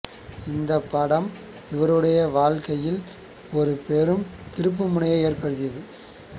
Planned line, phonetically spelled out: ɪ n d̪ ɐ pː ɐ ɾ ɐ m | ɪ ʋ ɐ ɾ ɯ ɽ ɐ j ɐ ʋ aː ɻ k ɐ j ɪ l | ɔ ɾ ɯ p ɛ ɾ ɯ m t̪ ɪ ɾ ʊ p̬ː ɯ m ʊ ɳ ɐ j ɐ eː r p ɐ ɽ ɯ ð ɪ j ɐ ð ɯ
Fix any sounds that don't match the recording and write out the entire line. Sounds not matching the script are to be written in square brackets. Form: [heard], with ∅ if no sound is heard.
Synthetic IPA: ɪ n d̪ ɐ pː ɐ [ɽ] ɐ m | ɪ ʋ ɐ ɾ ɯ ɽ ɐ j ɐ ʋ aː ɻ k ɐ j ɪ l | ɔ ɾ ɯ p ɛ ɾ ɯ m t̪ ɪ ɾ [ɯ] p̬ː ɯ m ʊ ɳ ɐ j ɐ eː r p ɐ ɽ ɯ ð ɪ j ɐ ð ɯ